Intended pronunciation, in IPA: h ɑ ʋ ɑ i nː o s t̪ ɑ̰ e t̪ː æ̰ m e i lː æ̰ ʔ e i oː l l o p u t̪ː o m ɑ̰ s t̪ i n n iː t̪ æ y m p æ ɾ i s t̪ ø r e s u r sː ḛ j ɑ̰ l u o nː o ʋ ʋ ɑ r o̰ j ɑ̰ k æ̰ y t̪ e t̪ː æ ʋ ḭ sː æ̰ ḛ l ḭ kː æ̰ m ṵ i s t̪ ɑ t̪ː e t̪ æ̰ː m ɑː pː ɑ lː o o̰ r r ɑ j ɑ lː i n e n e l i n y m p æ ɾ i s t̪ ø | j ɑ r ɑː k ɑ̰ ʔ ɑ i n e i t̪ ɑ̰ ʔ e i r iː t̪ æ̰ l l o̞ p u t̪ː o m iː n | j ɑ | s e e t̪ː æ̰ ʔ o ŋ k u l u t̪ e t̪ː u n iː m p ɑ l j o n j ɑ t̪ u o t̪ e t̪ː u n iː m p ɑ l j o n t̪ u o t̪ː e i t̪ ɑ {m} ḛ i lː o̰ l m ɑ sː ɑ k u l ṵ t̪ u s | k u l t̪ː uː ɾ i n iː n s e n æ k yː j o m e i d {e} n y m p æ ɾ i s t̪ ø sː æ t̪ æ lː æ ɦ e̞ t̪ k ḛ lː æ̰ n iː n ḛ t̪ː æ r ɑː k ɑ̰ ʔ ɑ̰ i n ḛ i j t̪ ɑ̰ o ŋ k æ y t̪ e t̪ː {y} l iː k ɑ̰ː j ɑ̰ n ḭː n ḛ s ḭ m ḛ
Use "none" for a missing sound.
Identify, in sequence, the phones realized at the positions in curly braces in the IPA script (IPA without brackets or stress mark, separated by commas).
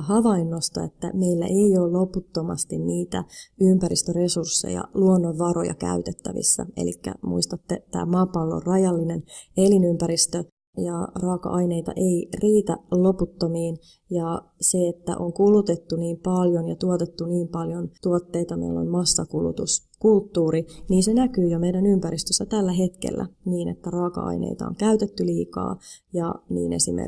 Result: m, æ, y